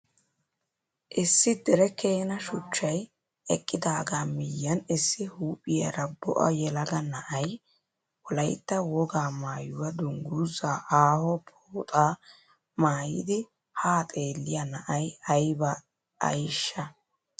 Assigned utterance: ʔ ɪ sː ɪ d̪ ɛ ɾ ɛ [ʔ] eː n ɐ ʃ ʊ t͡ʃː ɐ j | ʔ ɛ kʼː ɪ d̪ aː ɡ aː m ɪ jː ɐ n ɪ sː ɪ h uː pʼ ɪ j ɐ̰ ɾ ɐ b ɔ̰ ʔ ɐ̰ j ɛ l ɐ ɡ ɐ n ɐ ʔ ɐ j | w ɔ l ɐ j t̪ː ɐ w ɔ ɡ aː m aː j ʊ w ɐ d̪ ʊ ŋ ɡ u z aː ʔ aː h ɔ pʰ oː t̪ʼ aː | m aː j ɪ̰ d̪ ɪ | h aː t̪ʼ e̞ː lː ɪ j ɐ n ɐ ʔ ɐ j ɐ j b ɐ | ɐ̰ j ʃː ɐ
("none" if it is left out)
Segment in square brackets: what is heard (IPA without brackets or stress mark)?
k